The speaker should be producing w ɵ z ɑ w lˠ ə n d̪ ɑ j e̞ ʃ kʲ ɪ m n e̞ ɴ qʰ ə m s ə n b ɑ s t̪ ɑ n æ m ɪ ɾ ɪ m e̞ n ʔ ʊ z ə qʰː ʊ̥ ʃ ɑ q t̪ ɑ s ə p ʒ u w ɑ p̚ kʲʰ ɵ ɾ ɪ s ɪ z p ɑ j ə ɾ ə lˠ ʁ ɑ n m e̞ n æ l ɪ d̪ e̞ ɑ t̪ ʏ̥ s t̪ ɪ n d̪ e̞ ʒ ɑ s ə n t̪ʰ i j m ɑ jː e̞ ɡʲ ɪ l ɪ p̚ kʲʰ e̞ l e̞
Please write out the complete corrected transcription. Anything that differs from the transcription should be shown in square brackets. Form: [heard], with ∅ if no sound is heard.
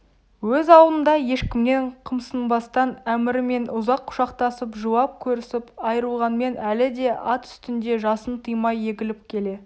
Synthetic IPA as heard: w ɵ z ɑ w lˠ ə n d̪ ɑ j e̞ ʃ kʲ ɪ m n e̞ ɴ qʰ ə m s ə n b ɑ s t̪ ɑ n æ m ɪ ɾ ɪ m e̞ n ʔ ʊ z [ɑ] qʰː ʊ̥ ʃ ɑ q t̪ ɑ s ə p ʒ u w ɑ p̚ kʲʰ ɵ ɾ ɪ s ɪ [∅] p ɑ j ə ɾ ə lˠ ʁ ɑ n m e̞ n æ l ɪ d̪ e̞ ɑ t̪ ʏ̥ s t̪ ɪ n d̪ e̞ ʒ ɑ s ə n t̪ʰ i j m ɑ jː e̞ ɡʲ ɪ l ɪ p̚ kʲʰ e̞ l e̞